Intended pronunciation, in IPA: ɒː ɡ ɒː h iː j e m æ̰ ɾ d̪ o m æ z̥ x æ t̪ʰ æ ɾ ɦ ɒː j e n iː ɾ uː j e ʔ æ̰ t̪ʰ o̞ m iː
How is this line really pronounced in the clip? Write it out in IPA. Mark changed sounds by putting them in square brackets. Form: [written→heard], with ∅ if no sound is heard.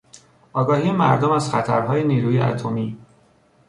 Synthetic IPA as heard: ɒː ɡ ɒː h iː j e m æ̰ ɾ d̪ o m æ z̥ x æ t̪ʰ æ ɾ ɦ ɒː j e n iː ɾ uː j e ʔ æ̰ t̪ʰ o̞ m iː